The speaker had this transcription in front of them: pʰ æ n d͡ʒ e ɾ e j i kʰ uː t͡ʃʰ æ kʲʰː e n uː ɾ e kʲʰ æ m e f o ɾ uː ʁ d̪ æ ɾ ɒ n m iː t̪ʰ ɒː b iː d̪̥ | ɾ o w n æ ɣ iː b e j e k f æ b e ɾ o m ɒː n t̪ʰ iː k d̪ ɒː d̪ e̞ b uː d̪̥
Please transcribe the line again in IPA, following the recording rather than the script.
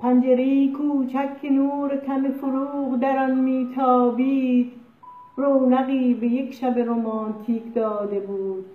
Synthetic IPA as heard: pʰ æ n d͡ʒ e ɾ e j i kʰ uː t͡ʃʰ æ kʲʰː e n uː ɾ e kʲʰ æ m e f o ɾ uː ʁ d̪ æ ɾ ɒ n m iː t̪ʰ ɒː b iː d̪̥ | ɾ o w n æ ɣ iː b e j e k ʃ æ b e ɾ o m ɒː n t̪ʰ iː k d̪ ɒː d̪ e̞ b uː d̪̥